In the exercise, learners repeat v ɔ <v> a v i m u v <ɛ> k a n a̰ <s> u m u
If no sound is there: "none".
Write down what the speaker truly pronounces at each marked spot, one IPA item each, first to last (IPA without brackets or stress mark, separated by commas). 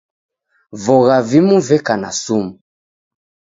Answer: ɣ, ɛ, s